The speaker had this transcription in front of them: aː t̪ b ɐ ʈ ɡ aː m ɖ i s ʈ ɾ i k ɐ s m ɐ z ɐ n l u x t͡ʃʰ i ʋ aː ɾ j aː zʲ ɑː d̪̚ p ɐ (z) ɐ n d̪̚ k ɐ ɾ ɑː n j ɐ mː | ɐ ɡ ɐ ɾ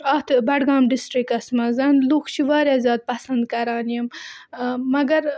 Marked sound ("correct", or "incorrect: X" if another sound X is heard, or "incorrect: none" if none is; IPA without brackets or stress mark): incorrect: s